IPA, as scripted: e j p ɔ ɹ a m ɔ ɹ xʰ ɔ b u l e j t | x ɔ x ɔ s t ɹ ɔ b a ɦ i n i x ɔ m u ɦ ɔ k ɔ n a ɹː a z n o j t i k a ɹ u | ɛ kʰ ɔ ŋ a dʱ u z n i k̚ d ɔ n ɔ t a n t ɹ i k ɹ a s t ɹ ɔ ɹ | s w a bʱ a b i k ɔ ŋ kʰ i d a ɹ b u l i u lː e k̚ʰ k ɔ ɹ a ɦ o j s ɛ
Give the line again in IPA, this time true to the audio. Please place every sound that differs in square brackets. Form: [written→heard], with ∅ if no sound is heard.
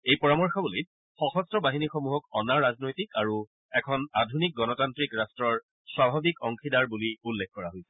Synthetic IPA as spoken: e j p ɔ ɹ a m ɔ ɹ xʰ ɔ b u l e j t | x ɔ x ɔ s t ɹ ɔ b a ɦ i n i x ɔ m u ɦ ɔ k ɔ n a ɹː a z n o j t i k a ɹ u | ɛ kʰ ɔ [ŋ→n] a dʱ u [z→∅] n i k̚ [d→ɡ] ɔ n ɔ t a n t ɹ i k ɹ a s t ɹ ɔ ɹ | s w a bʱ a b i k ɔ ŋ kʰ i d a ɹ b u l i u lː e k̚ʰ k ɔ ɹ a ɦ o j s ɛ